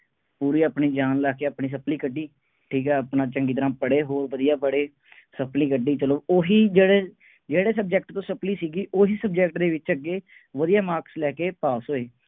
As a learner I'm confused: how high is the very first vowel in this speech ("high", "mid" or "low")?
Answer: high